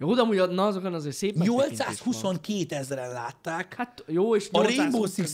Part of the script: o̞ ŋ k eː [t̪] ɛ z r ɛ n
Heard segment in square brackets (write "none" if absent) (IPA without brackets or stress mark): t̪